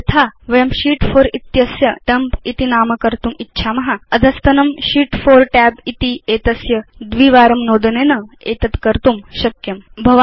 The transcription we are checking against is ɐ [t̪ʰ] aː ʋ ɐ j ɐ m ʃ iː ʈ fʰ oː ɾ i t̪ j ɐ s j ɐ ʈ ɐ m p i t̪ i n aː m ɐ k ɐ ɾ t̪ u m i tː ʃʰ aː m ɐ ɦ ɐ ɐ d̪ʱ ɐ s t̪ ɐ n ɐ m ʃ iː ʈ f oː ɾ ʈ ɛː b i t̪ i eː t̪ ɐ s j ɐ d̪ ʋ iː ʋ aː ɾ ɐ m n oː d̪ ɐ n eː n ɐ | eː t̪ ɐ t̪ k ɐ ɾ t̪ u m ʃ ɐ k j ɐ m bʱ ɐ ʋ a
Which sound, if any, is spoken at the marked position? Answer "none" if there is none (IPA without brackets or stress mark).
t̪ʰ